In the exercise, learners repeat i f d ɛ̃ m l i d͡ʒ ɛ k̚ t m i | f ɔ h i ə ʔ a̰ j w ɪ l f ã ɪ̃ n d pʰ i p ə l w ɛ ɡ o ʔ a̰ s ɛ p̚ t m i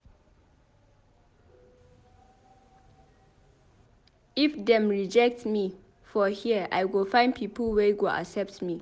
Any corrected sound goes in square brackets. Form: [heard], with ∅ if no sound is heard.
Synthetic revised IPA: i f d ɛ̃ m [ɹ] i d͡ʒ ɛ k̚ t m i | f ɔ h i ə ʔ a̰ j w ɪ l f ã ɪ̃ n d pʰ i p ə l w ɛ ɡ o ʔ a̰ s ɛ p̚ t m i